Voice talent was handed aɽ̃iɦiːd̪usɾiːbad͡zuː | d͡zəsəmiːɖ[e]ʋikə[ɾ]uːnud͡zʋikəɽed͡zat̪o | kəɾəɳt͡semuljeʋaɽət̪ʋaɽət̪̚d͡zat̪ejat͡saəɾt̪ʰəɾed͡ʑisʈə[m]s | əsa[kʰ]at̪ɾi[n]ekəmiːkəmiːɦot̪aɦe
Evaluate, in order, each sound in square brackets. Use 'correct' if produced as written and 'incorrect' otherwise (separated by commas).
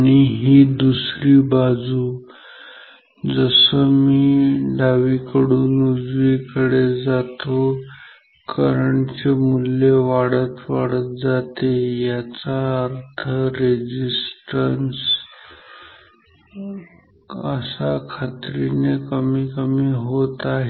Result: incorrect, incorrect, incorrect, correct, correct